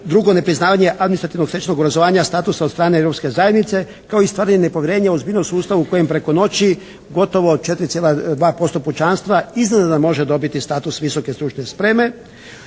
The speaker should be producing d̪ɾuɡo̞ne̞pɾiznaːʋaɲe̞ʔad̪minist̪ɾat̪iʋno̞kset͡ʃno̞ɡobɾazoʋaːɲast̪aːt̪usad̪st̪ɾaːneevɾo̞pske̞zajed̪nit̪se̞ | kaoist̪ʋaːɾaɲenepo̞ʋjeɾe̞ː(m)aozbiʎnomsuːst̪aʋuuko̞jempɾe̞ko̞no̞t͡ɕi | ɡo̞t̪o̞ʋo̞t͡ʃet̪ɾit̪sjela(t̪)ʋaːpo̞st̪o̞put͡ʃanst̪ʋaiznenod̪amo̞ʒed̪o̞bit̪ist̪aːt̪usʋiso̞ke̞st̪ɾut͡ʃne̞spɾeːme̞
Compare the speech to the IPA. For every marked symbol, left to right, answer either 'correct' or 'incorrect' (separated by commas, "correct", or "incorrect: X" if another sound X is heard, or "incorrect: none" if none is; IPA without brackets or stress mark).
incorrect: ɲ, incorrect: d̪